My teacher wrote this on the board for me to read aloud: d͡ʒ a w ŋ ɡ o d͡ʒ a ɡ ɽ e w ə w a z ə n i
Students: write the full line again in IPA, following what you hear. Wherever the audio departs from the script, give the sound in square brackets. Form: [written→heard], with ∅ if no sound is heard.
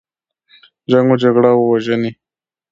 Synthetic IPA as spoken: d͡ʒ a [w→∅] ŋ ɡ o d͡ʒ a ɡ ɽ [e→a] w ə w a [z→ʒ] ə n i